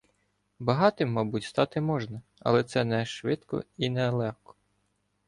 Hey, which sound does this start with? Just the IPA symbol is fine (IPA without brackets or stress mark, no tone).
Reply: b